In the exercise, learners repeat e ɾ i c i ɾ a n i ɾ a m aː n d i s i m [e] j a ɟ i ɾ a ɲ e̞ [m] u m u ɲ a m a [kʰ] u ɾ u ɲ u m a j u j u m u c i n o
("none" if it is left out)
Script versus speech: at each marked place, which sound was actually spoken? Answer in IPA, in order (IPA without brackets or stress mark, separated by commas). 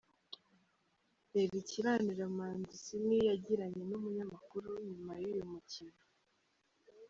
i, n, k